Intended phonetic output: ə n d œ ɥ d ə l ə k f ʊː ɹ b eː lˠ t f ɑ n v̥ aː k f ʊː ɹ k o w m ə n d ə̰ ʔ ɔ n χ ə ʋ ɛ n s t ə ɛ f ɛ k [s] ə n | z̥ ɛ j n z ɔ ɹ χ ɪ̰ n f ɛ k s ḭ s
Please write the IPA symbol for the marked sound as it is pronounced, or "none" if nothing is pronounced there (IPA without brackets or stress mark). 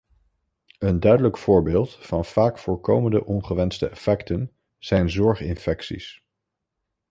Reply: t